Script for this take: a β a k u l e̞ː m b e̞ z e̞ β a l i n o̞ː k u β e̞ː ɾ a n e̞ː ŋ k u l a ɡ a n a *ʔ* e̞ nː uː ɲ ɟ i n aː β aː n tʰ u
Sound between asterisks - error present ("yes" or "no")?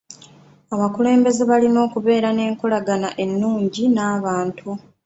no